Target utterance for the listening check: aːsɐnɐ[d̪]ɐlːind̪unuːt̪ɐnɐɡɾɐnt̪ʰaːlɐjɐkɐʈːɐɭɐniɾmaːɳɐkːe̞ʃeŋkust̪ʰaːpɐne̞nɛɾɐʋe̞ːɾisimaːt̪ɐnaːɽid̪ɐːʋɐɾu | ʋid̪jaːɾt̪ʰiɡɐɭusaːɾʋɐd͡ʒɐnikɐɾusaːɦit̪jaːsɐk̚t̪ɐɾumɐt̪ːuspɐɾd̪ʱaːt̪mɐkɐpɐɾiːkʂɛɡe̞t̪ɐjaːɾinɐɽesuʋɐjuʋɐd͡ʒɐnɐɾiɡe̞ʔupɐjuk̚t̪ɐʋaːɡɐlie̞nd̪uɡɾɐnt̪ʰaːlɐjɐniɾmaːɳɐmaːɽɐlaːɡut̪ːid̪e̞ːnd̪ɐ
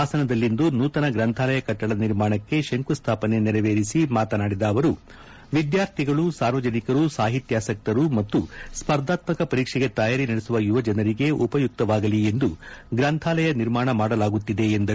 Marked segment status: correct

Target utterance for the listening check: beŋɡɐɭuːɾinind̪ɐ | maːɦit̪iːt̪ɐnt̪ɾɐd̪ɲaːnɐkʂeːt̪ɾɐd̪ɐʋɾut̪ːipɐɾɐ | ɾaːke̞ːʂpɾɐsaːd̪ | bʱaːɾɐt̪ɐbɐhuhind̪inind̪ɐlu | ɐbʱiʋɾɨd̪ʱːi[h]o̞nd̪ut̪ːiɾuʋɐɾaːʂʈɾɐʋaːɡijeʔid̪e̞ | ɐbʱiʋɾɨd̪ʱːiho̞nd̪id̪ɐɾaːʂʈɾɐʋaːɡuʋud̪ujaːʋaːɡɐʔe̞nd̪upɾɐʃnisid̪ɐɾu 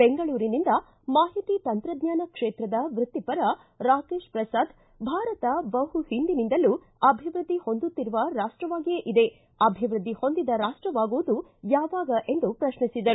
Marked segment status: correct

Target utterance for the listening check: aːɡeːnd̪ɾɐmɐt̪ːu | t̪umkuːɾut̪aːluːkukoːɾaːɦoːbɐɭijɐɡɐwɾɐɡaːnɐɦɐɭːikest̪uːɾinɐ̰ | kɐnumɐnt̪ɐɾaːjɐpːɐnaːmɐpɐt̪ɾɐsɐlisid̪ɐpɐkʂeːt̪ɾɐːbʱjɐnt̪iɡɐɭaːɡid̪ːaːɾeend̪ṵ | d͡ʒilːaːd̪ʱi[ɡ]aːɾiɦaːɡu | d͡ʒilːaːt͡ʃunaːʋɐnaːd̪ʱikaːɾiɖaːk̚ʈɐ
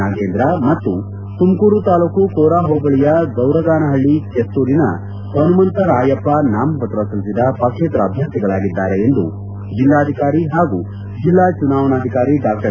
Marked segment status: incorrect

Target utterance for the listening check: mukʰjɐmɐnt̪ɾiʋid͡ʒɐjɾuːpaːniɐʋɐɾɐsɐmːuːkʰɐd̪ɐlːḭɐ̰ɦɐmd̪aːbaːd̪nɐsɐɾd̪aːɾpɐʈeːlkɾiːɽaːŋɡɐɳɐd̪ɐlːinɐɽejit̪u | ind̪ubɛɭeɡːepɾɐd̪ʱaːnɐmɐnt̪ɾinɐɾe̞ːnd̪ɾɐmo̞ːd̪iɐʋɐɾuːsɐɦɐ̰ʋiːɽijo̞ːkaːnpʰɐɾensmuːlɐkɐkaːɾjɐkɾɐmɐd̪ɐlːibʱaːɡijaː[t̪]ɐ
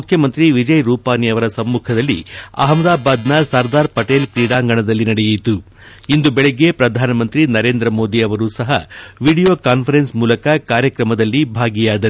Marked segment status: incorrect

